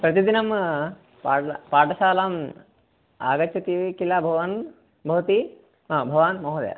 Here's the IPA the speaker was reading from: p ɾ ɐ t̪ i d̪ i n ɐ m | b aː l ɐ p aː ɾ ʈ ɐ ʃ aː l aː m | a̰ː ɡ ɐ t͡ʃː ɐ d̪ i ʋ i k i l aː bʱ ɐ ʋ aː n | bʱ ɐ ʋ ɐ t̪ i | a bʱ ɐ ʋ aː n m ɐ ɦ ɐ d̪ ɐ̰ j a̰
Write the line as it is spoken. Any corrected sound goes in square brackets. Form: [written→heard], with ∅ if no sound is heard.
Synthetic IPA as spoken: p ɾ ɐ t̪ i d̪ i n ɐ m | [b→p] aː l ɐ p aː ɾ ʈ ɐ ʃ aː l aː m | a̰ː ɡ ɐ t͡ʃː ɐ [d̪→t̪] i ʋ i k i l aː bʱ ɐ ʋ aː n | bʱ ɐ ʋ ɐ t̪ i | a bʱ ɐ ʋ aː n m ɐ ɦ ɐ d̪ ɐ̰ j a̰